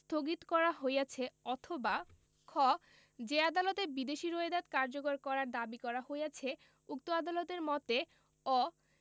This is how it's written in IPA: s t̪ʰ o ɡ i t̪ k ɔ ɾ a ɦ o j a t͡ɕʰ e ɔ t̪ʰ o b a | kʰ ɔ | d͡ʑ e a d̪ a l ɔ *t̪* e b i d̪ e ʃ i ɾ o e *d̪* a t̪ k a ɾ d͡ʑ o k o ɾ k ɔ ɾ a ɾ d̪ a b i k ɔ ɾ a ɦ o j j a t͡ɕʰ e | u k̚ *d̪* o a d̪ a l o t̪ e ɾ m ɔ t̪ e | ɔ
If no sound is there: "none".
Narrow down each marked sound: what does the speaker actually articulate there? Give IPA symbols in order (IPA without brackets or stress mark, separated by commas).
t̪, d̪, t̪